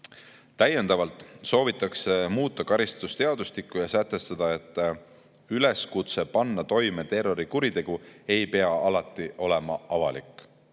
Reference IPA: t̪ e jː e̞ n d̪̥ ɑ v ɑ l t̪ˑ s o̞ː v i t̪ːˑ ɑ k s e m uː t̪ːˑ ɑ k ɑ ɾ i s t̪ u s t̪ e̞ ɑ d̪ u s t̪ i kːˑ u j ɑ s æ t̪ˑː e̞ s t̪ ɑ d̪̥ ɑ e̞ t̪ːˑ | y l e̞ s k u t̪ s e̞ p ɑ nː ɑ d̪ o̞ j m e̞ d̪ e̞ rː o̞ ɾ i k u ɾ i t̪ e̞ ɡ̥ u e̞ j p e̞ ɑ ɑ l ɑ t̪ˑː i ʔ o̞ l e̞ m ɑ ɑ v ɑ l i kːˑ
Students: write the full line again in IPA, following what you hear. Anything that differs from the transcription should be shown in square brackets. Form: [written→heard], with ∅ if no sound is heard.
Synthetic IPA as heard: t̪ [e→æ] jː e̞ n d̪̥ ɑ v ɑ l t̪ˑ s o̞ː v i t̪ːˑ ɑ k s e m uː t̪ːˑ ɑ k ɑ ɾ i s t̪ u s t̪ e̞ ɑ d̪ u s t̪ i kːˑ u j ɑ s æ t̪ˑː e̞ s t̪ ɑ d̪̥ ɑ e̞ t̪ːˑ | y l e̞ s k u t̪ s e̞ p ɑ nː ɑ [d̪→t̪] o̞ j m e̞ [d̪→t̪] e̞ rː o̞ ɾ i k u ɾ i t̪ e̞ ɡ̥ u e̞ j p e̞ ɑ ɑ l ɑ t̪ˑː i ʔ o̞ l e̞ m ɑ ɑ v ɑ l i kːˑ